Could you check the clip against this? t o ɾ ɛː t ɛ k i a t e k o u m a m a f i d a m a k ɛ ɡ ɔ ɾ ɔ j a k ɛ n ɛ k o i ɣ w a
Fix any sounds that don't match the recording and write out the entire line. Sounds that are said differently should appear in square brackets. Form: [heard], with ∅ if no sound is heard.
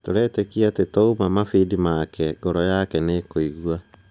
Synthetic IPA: t o ɾ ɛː t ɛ k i a t e [t] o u m a m a f i d [i] m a k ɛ ɡ ɔ ɾ ɔ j a k ɛ n [e] k o i ɣ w a